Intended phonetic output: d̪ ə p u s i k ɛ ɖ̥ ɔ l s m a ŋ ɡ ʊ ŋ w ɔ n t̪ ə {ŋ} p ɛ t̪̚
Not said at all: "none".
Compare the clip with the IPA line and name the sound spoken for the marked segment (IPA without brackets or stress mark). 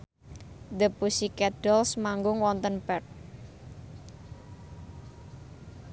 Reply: n